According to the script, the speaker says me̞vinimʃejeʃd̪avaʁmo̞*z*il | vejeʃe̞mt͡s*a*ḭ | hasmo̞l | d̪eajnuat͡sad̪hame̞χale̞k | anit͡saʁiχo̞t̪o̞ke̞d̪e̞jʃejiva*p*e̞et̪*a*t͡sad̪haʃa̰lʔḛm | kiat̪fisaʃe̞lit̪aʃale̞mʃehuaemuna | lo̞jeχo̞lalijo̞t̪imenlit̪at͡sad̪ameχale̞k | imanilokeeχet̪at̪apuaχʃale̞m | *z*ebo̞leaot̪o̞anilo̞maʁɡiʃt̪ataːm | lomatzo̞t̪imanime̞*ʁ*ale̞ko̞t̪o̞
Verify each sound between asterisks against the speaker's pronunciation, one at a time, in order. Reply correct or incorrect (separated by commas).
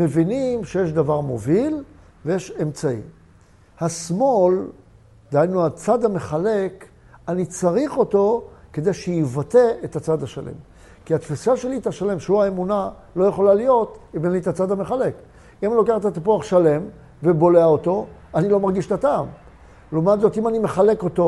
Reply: incorrect, correct, incorrect, correct, incorrect, incorrect